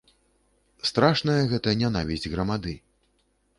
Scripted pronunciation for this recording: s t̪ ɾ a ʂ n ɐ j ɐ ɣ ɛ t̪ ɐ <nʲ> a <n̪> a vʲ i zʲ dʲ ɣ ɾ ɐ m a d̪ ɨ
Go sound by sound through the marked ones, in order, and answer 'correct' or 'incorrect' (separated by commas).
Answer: correct, correct